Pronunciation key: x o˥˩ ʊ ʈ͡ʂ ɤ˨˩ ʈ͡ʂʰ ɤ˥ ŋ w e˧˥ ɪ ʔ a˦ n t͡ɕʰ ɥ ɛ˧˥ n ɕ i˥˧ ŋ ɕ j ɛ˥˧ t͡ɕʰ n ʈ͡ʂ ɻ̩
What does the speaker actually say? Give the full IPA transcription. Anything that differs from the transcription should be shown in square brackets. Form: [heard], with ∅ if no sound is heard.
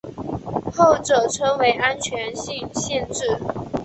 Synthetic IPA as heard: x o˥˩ ʊ ʈ͡ʂ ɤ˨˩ ʈ͡ʂʰ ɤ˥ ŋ w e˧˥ ɪ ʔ a˦ n t͡ɕʰ ɥ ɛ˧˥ n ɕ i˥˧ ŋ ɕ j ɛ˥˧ [∅] n ʈ͡ʂ ɻ̩